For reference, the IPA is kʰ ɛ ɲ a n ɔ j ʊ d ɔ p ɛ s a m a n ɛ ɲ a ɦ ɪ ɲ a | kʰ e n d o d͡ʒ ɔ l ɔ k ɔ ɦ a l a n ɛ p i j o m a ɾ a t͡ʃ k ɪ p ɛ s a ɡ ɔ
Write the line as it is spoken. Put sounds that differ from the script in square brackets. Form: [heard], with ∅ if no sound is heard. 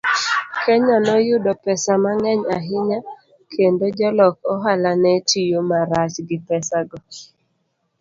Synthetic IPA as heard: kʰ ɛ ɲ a n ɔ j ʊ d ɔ p ɛ s a m a [ŋ] ɛ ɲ a ɦ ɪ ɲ a | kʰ e n d o d͡ʒ ɔ l ɔ k ɔ ɦ a l a n ɛ [t] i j o m a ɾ a t͡ʃ [ɡ] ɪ p ɛ s a ɡ ɔ